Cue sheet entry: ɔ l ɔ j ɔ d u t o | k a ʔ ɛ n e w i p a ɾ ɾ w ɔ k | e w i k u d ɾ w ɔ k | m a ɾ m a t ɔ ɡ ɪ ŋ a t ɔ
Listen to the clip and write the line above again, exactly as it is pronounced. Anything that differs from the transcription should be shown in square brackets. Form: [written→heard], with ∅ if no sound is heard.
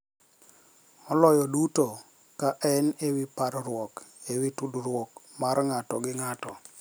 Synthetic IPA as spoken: ɔ l ɔ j ɔ d u t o | k a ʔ ɛ n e w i p a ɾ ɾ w ɔ k | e w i [k→t] u d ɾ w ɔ k | m a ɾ [m→ŋ] a t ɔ ɡ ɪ ŋ a t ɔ